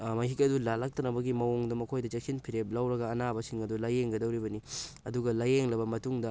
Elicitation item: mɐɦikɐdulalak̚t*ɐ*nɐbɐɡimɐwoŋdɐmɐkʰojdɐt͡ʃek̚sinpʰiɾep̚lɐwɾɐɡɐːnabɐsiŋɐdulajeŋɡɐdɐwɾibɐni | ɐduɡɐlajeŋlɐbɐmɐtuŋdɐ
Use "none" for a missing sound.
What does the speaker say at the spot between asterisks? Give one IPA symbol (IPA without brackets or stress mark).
ɐ